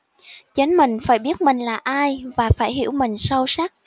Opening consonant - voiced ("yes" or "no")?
no